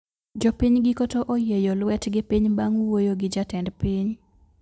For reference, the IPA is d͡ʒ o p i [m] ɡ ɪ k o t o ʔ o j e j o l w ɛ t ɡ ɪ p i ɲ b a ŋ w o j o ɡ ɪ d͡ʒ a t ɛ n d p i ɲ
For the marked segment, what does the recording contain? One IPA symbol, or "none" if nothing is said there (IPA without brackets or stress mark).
ɲ